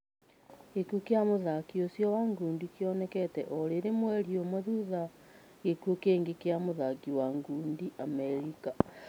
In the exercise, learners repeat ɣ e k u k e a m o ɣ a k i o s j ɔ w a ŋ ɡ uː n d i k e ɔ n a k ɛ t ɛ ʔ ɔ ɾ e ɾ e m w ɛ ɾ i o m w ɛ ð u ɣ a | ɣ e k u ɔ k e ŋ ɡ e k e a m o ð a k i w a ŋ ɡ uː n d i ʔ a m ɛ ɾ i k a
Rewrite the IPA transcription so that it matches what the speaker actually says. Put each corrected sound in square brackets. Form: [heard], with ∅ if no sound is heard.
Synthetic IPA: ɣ e k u k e a m o [ð] a k i o s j ɔ w a ŋ ɡ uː n d i k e ɔ n [ɛ] k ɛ t ɛ ʔ ɔ ɾ e ɾ e m w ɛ ɾ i o m w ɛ ð u [ð] a | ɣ e k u [o] k e ŋ ɡ e k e a m o ð a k i w a ŋ ɡ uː n d i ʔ a m ɛ ɾ i k a